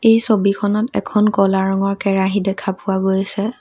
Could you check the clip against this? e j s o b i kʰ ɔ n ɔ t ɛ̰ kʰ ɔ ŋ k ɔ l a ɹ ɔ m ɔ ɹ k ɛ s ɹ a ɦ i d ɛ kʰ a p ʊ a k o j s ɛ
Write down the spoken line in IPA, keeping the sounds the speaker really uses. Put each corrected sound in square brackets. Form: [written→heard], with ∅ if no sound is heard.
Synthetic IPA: e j s o b i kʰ ɔ n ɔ t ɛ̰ kʰ ɔ [ŋ→n] k ɔ l a ɹ ɔ [m→ŋ] ɔ ɹ k ɛ [s→∅] ɹ a ɦ i d ɛ kʰ a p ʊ a [k→ɡ] o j s ɛ